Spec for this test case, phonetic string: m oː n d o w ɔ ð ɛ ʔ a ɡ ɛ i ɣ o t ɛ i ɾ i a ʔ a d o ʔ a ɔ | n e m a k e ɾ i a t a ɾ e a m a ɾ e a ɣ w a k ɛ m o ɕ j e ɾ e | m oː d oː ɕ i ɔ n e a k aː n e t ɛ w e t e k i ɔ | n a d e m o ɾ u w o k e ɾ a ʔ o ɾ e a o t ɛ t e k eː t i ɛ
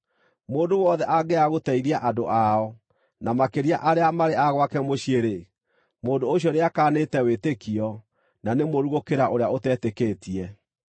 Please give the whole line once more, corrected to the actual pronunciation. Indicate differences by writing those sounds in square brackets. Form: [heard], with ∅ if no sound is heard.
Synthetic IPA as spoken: m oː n d o w ɔ ð ɛ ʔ a ɡ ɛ [a] ɣ o t ɛ i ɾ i a ʔ a d o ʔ a ɔ | n [a] m a k e ɾ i a [ʔ] a ɾ e a m a ɾ e a ɣ w a k ɛ m o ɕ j e ɾ e | m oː d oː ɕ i ɔ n e a k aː n e t ɛ w e t e k i ɔ | n a [n] e m o ɾ u [ɣ] o k e ɾ a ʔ o ɾ e a o t ɛ t e k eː t i ɛ